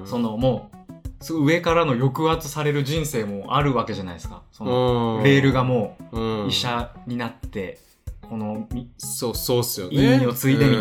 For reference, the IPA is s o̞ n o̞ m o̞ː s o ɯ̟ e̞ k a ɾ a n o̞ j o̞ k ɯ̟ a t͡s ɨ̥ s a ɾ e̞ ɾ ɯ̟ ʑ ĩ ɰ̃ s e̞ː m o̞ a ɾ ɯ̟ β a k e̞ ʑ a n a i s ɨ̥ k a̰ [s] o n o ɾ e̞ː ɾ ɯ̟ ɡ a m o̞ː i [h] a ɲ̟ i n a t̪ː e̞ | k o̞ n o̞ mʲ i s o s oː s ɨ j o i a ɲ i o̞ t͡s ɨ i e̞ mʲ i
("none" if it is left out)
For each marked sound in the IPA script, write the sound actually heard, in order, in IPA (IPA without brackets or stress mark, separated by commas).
s, ɕ